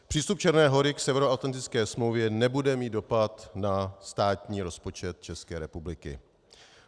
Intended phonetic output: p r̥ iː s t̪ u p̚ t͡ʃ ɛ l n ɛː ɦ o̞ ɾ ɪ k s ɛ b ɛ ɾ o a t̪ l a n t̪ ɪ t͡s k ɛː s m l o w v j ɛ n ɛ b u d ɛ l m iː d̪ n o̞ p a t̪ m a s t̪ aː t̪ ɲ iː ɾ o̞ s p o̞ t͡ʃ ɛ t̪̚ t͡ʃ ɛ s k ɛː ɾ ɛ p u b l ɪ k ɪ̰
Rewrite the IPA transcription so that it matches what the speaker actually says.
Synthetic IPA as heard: p r̥ iː s t̪ u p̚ t͡ʃ ɛ ɾ n ɛː ɦ o̞ ɾ ɪ k s ɛ v ɛ ɾ o a t̪ l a n t̪ ɪ t͡s k ɛː s m l o w v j ɛ n ɛ b u d ɛ m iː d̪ d o̞ p a t̪ n a s t̪ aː t̪ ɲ iː ɾ o̞ s p o̞ t͡ʃ ɛ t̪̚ t͡ʃ ɛ s k ɛː ɾ ɛ p u b l ɪ k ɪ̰

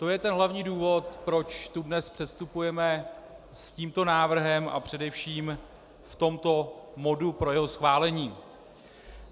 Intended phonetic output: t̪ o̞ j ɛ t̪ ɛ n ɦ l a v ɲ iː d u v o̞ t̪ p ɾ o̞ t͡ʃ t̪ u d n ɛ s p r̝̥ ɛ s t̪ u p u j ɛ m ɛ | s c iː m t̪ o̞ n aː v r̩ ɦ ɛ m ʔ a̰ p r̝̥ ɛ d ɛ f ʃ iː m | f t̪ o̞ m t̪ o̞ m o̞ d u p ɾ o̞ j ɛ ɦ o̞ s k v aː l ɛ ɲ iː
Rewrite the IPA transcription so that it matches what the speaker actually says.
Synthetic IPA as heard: t̪ o̞ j ɛ t̪ ɛ n ɦ l a v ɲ iː d uː v o̞ t̪ p ɾ o̞ t͡ʃ t̪ u d n ɛ s p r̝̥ ɛ s t̪ u p u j ɛ m ɛ | s c iː m t̪ o̞ n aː v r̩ ɦ ɛ m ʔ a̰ p r̝̥ ɛ d ɛ f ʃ iː m | f t̪ o̞ m t̪ o̞ m o̞ d u p ɾ o̞ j ɛ ɦ o̞ s x v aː l ɛ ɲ iː

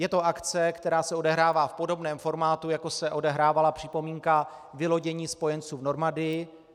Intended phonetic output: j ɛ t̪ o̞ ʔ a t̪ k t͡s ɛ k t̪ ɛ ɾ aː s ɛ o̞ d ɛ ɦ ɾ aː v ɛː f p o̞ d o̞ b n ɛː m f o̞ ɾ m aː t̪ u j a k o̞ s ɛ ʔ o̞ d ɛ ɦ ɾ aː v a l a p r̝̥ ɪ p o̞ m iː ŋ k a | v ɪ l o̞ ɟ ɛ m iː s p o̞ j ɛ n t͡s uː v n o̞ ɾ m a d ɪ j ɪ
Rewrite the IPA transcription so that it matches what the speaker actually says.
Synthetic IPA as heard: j ɛ t̪ o̞ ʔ a k t͡s ɛ k t̪ ɛ ɾ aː s ɛ o̞ d ɛ ɦ ɾ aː v aː f p o̞ d o̞ b n ɛː m f o̞ ɾ m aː t̪ u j a k o̞ s ɛ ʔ o̞ d ɛ ɦ ɾ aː v a l a p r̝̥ ɪ p o̞ m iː ŋ k a | v ɪ l o̞ ɟ ɛ ɲ iː s p o̞ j ɛ n t͡s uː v n o̞ ɾ m a d ɪ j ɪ

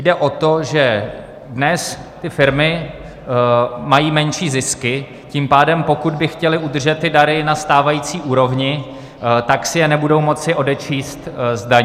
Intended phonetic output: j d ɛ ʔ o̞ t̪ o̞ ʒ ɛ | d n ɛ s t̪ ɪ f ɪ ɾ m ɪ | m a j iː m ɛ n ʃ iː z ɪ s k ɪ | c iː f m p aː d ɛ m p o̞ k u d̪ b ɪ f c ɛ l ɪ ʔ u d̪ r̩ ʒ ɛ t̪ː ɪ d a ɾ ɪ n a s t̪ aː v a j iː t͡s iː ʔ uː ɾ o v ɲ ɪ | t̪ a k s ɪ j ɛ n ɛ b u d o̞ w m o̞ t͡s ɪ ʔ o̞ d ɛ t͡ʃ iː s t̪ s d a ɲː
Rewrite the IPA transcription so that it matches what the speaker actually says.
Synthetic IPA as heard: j d ɛ ʔ o̞ t̪ o̞ ʒ ɛ | d n ɛ s t̪ ɪ f ɪ ɾ m ɪ | m a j iː m ɛ n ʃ iː z ɪ s k ɪ | c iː m p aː d ɛ m p o̞ k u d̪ b ɪ x c ɛ l ɪ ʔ u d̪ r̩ ʒ ɛ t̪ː ɪ d a ɾ ɪ n a s t̪ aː v a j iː t͡s iː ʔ uː ɾ o v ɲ ɪ | t̪ a k s ɪ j ɛ n ɛ b u d o̞ w m o̞ t͡s ɪ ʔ o̞ d ɛ t͡ʃ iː s t̪ z d a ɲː

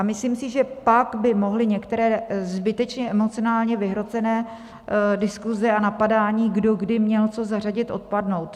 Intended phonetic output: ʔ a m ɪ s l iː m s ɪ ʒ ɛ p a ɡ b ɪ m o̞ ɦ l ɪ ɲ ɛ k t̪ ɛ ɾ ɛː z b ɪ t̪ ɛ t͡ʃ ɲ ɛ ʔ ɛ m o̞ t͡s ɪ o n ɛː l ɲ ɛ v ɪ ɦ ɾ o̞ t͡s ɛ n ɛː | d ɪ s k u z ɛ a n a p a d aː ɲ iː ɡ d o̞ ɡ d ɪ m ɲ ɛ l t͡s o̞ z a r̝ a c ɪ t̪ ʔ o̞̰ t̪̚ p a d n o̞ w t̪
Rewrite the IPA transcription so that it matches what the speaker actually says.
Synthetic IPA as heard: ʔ a m ɪ s l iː m s ɪ ʒ ɛ p a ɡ b ɪ m o̞ ɦ l ɪ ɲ ɛ k t̪ ɛ ɾ ɛː z b ɪ t̪ ɛ t͡ʃ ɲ ɛ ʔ ɛ m o̞ t͡s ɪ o n aː l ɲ ɛ v ɪ ɦ ɾ o̞ t͡s ɛ n ɛː | d ɪ s k u z ɛ a n a p a d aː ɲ iː ɡ d o̞ ɡ d ɪ m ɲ ɛ l t͡s o̞ z a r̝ a ɟ ɪ t̪ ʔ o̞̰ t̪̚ p a d n o̞ w t̪

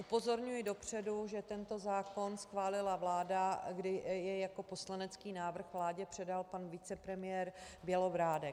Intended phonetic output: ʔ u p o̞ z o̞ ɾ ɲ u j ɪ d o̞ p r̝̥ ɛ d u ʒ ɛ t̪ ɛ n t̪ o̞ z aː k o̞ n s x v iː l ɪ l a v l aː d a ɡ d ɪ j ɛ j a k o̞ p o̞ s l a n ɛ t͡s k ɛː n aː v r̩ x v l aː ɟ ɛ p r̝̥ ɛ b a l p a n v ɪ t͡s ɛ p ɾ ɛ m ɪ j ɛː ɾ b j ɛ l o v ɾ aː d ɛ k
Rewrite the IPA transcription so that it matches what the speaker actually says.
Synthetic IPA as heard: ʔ u p o̞ z o̞ ɾ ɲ u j ɪ d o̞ p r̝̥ ɛ d u ʒ ɛ t̪ ɛ n t̪ o̞ z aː k o̞ n s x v aː l ɪ l a v l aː d a ɡ d ɪ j ɛ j a k o̞ p o̞ s l a n ɛ t͡s k iː n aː v r̩ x v l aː ɟ ɛ p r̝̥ ɛ d a l p a n v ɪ t͡s ɛ p ɾ ɛ m ɪ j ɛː ɾ b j ɛ l o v ɾ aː d ɛ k

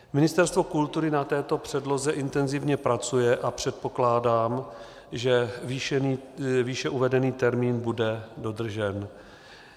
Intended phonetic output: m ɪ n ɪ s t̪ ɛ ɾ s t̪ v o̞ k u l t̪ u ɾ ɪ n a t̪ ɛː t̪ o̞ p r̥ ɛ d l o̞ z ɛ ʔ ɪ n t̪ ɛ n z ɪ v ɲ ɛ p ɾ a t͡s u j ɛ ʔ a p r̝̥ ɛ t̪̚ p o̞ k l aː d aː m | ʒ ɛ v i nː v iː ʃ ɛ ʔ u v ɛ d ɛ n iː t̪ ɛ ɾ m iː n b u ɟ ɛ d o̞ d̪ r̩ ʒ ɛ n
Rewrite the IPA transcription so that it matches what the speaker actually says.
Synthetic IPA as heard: m ɪ n ɪ s t̪ ɛ ɾ s t̪ v o̞ k u l t̪ u ɾ ɪ n a t̪ ɛː t̪ o̞ p r̥ ɛ d l o̞ z ɛ ʔ ɪ n t̪ ɛ n z ɪ v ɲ ɛ p ɾ a t͡s u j ɛ ʔ a p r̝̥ ɛ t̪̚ p o̞ k l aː d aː m | ʒ ɛ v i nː v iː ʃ ɛ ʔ u v ɛ d ɛ n iː t̪ ɛ ɾ m iː n b u d ɛ d o̞ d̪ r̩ ʒ ɛ n

